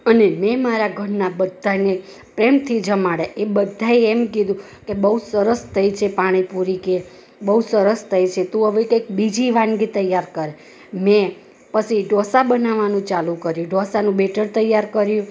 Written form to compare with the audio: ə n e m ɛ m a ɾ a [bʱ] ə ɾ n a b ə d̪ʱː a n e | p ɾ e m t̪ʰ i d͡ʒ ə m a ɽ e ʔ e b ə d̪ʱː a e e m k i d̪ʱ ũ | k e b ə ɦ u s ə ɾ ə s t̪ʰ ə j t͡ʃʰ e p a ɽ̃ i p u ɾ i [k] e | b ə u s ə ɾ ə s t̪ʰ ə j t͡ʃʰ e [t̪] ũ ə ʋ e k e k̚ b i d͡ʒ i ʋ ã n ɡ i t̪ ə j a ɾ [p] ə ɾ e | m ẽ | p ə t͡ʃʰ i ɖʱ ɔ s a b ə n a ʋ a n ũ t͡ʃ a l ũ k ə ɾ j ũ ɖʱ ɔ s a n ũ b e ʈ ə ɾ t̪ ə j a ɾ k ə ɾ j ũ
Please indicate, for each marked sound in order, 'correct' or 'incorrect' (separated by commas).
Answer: incorrect, correct, correct, incorrect